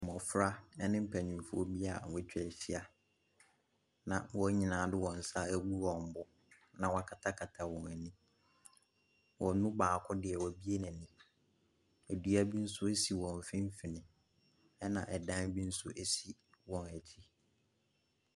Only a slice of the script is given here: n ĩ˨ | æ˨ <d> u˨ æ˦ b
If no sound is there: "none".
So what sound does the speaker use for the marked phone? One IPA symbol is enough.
d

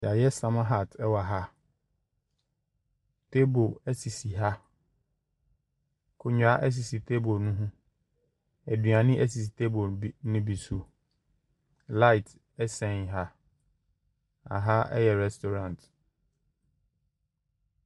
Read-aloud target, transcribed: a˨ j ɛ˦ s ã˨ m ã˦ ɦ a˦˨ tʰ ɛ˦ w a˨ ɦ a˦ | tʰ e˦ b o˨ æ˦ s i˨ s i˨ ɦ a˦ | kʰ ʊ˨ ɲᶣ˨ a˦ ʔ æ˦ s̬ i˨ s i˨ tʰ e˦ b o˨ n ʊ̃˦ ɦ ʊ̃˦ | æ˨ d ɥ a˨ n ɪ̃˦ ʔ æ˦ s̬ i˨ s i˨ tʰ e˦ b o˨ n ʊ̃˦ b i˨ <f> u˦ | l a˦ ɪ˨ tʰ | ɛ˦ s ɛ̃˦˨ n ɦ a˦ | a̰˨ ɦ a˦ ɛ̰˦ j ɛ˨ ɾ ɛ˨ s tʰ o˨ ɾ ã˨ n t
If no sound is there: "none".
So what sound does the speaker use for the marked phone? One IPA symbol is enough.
s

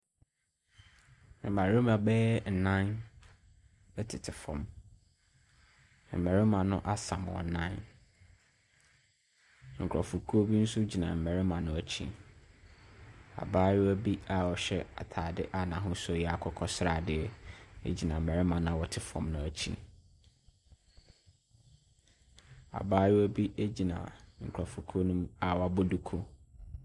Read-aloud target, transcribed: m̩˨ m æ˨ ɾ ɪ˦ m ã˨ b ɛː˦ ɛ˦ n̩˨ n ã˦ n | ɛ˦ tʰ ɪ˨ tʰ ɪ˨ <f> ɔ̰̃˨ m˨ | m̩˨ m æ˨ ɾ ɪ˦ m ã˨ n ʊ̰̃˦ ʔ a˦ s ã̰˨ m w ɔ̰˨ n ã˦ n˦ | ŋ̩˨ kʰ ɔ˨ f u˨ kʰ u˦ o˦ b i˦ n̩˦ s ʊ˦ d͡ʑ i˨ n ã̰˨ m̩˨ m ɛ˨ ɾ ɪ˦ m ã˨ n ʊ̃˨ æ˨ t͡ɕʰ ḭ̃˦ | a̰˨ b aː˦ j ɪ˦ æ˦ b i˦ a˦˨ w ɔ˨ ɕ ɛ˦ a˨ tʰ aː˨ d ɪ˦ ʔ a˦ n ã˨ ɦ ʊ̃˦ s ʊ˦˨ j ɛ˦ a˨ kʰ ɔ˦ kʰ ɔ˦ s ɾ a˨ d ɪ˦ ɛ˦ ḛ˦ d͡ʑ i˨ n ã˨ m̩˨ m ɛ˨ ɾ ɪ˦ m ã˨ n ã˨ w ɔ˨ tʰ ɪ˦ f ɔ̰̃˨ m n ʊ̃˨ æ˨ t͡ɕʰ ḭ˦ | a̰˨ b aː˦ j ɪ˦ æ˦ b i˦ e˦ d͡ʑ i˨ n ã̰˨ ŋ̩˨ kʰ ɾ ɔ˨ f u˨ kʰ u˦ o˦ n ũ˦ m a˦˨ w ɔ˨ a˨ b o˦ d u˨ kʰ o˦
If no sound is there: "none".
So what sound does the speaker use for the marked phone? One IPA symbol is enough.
f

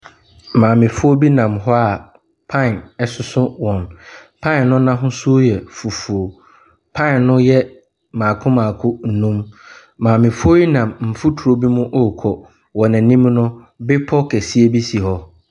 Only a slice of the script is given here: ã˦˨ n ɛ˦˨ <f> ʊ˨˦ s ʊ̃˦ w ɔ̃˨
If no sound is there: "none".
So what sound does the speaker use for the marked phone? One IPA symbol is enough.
s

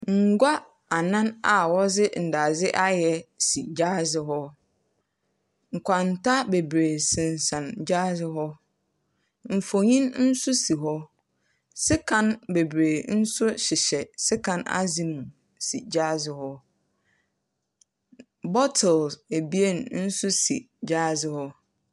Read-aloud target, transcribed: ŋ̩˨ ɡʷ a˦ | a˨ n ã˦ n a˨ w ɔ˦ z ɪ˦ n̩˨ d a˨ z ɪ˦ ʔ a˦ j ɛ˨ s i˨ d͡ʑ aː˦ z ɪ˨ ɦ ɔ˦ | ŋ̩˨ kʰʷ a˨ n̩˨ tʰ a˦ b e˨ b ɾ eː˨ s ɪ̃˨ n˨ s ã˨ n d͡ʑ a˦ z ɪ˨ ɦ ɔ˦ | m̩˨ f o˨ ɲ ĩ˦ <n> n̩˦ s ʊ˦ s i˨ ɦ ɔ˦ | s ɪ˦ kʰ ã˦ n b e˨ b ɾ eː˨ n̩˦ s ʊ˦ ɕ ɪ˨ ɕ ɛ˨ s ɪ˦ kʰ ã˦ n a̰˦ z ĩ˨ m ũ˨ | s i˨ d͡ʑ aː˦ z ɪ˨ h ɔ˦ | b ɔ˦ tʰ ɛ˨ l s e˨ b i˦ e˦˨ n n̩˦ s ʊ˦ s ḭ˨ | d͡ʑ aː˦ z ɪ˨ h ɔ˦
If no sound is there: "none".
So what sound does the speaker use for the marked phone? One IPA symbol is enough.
n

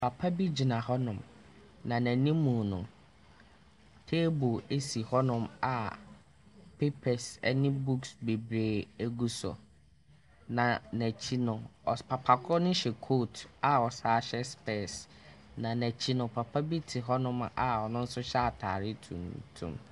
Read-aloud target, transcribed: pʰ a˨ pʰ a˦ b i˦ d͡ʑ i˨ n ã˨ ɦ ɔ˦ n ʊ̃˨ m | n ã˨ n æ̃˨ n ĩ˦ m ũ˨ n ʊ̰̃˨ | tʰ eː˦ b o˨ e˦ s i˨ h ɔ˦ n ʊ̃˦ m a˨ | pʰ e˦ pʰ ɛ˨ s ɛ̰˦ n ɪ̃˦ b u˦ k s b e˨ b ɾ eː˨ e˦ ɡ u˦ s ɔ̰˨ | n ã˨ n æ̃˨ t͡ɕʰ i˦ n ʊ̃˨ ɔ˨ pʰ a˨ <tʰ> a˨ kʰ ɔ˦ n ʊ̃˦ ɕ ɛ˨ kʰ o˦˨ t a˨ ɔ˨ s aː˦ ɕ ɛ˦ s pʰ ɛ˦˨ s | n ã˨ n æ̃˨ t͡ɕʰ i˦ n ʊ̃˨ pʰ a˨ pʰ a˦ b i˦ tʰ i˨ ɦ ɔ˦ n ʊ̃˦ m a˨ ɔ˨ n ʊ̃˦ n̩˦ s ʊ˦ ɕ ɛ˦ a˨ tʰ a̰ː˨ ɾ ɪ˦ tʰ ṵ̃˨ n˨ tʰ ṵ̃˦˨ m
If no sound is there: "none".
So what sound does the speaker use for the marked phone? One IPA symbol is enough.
pʰ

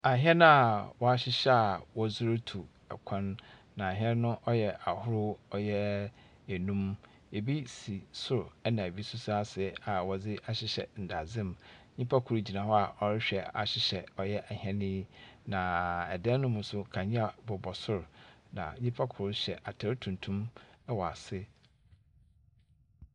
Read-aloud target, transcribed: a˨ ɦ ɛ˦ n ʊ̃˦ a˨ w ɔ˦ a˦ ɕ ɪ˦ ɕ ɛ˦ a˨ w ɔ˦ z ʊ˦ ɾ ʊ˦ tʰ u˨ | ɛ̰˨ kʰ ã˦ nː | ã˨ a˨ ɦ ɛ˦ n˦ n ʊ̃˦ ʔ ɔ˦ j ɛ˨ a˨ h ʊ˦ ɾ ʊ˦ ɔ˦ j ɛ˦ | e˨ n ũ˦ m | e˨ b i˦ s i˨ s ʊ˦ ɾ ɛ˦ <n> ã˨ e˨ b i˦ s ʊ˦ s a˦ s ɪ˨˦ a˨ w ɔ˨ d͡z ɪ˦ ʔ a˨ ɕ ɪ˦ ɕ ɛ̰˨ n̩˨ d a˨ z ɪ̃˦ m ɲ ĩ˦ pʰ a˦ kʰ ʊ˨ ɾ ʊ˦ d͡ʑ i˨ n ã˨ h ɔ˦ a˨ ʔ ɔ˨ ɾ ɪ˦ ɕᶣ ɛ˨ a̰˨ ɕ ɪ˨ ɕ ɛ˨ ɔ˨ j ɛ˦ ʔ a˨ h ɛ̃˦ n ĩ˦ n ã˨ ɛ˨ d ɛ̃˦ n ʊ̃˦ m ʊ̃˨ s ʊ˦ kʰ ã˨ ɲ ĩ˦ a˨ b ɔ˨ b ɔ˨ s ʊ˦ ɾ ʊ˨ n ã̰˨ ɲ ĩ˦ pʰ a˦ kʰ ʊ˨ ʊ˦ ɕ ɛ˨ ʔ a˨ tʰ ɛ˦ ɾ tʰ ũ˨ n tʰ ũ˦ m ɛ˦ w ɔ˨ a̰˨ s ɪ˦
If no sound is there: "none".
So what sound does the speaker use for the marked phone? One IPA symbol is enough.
n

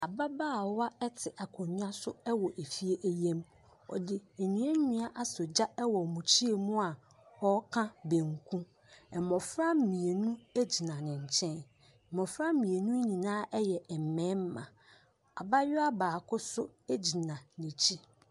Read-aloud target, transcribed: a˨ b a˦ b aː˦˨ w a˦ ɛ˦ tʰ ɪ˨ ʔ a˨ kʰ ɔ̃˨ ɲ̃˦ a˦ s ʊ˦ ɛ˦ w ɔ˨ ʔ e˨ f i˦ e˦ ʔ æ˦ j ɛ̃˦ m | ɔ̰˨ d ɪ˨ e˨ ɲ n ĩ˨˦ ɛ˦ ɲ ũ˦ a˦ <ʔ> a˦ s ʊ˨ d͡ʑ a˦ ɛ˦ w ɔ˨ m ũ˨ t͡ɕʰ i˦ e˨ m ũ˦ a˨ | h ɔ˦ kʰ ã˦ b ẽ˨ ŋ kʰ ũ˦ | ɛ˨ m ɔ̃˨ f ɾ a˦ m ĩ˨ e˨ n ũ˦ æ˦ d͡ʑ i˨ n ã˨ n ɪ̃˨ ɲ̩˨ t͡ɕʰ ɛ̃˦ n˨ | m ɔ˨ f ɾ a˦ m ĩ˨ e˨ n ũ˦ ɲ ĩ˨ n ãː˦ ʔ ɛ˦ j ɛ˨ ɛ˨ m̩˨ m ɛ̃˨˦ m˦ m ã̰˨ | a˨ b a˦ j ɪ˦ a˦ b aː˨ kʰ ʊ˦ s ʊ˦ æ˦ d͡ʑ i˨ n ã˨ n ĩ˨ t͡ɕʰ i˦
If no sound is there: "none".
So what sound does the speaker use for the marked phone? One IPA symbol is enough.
ʔ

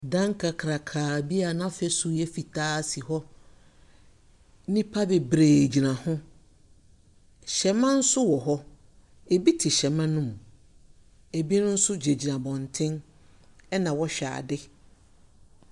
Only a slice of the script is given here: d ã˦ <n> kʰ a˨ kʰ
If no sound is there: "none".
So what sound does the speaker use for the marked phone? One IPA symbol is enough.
ŋ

